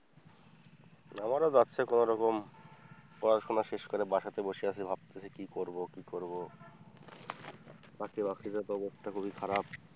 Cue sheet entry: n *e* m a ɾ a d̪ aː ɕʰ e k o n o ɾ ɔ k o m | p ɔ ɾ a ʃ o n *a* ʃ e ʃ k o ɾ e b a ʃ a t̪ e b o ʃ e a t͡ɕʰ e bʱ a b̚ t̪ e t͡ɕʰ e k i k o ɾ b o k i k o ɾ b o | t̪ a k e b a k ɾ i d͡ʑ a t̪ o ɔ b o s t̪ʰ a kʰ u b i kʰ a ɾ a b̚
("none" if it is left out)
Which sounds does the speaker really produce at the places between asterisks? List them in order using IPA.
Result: a, a

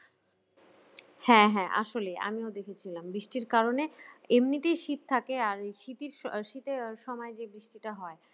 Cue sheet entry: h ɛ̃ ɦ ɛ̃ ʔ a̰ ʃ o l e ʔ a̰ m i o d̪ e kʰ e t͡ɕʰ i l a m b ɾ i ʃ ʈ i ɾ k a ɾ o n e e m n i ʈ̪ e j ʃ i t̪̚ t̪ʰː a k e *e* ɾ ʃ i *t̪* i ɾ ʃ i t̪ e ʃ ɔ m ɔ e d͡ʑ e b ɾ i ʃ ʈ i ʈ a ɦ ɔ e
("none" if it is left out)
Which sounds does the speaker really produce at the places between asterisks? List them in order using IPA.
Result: a, t̪

